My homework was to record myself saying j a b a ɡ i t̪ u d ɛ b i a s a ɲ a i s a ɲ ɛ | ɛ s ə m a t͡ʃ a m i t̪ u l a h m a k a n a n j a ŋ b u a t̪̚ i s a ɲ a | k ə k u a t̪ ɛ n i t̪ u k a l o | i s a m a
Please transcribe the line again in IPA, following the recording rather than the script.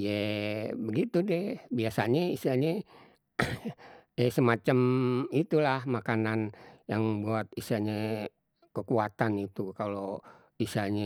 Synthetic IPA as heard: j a b ə ɡ i t̪ u d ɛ b i a s a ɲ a i s a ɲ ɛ | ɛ s ə m a t͡ʃ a m i t̪ u l a h m a k a n a n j a ŋ b u a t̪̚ i s a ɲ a | k ə k u a t̪ a n i t̪ u k a l o | i s a ɲ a